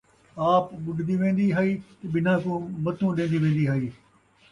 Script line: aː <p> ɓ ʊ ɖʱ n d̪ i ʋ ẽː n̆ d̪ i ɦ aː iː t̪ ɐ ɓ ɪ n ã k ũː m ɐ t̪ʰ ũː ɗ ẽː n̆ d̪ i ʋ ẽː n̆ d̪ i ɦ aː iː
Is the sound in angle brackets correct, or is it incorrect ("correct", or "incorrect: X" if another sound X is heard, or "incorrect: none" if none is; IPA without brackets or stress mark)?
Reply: correct